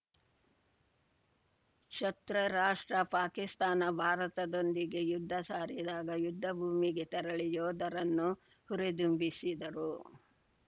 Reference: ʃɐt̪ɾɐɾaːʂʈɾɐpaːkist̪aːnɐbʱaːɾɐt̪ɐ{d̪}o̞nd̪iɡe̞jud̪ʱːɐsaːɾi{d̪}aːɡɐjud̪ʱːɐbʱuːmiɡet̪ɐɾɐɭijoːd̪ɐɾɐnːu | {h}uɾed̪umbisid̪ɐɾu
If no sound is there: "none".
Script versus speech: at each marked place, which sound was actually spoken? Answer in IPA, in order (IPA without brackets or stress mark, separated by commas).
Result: d̪, d̪, h